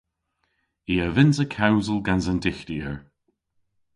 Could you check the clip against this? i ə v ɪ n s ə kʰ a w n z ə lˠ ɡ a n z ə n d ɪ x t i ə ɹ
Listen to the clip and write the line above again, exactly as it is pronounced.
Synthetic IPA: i ə v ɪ n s ə kʰ a w n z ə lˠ ɡ a n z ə n d ɪ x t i ə ɹ